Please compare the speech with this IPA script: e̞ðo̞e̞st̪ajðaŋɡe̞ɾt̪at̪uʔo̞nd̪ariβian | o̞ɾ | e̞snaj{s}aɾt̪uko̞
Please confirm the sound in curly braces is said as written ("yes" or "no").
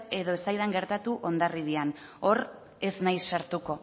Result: no